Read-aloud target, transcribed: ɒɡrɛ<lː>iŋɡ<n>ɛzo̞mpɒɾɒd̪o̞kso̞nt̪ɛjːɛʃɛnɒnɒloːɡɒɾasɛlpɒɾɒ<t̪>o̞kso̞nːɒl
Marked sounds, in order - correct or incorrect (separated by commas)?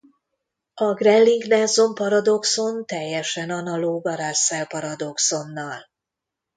correct, correct, incorrect